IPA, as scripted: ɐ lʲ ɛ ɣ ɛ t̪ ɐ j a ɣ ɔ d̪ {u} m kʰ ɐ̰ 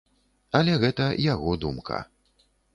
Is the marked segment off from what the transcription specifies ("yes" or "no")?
no